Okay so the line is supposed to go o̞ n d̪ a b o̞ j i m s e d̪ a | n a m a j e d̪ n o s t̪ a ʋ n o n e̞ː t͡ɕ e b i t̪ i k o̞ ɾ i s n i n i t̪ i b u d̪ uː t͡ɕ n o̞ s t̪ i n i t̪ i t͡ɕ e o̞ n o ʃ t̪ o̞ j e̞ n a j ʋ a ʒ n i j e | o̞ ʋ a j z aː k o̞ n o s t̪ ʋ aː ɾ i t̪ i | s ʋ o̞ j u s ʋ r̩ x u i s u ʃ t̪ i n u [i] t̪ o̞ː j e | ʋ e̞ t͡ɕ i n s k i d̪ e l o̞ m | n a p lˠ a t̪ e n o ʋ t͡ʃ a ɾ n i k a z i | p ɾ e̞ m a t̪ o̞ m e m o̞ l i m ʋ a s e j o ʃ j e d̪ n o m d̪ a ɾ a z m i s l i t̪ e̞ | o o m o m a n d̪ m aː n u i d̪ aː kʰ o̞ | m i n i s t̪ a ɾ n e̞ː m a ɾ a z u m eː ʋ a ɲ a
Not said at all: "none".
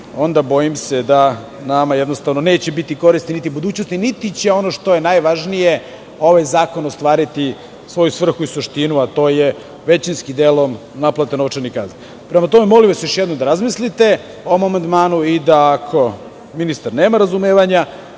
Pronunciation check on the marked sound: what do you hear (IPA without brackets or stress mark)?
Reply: a